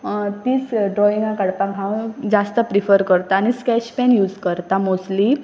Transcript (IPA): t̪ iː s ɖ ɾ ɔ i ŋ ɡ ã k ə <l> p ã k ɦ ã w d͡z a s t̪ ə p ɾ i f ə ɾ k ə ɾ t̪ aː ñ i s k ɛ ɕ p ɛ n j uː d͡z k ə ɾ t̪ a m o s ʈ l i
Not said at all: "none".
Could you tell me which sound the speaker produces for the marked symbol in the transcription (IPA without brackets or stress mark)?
ɽ